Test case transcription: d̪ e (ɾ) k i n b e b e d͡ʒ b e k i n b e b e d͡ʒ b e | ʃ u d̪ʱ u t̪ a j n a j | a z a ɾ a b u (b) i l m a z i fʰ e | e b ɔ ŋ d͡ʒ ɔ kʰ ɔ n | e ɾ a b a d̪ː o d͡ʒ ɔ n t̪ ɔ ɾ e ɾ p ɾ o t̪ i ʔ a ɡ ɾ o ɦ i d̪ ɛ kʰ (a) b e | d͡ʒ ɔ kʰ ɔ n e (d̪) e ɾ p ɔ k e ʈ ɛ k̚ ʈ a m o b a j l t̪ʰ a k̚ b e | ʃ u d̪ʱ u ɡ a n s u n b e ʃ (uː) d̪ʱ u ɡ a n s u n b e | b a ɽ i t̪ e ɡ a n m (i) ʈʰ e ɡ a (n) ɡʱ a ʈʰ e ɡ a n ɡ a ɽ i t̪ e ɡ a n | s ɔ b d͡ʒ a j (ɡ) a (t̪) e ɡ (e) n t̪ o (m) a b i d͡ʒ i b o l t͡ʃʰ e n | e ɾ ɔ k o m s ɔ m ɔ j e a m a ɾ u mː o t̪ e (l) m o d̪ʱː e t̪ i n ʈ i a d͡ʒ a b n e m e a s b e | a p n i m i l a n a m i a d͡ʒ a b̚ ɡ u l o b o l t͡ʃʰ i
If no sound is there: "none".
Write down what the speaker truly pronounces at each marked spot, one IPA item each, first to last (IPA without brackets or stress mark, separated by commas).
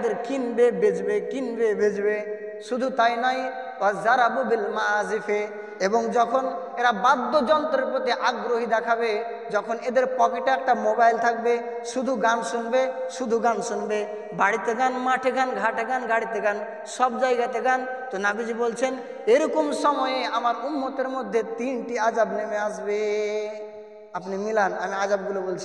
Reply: ɾ, b, a, d̪, u, a, n, ɡ, t̪, a, n, ɾ